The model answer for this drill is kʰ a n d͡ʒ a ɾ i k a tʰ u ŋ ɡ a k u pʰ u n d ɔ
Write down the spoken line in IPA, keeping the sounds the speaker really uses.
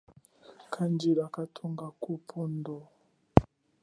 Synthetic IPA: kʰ a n d͡ʒ i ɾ a k a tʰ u ŋ ɡ a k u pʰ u n d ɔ